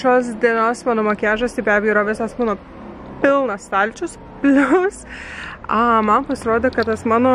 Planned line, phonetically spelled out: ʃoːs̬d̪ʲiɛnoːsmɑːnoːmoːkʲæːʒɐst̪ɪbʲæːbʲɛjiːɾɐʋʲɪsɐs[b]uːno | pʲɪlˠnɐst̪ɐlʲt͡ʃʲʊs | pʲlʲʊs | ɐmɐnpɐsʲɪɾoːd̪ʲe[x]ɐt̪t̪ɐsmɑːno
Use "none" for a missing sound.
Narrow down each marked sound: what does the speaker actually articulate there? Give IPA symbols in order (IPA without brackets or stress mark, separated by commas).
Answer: m, k